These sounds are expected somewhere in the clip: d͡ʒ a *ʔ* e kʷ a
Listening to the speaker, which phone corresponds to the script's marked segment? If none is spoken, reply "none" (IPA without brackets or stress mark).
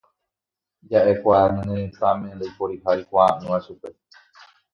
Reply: ʔ